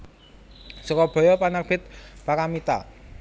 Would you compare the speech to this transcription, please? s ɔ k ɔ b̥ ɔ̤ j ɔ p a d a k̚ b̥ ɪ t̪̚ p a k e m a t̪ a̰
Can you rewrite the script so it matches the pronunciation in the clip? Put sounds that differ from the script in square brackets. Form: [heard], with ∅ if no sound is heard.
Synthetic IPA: s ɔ k ɔ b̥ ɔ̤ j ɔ p a [n] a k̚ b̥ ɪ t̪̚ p a k [a] m [i] t̪ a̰